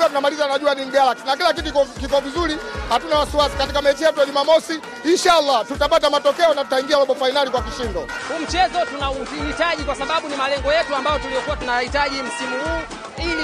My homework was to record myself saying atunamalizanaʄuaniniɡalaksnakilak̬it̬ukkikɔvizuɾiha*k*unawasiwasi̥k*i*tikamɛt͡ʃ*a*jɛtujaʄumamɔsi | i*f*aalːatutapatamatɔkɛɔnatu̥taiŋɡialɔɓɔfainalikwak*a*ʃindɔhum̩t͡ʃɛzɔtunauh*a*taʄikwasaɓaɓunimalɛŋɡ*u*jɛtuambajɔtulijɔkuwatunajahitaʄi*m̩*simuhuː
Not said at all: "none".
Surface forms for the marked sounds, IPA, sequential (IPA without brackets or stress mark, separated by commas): t, a, i, ʃ, i, i, ɔ, m̩